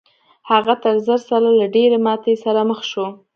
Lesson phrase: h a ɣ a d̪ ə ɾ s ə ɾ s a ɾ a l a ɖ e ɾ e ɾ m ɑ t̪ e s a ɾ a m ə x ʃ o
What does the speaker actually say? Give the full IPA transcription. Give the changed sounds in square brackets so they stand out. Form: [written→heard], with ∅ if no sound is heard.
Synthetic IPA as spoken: h a ɣ a [d̪→t̪] ə ɾ [s→z] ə ɾ s a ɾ a l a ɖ e ɾ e [ɾ→∅] m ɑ t̪ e s a ɾ a m ə x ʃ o